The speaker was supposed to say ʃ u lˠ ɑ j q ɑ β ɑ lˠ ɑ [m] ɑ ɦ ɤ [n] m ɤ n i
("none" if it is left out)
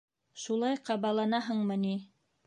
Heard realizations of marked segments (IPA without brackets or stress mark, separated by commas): n, ɴ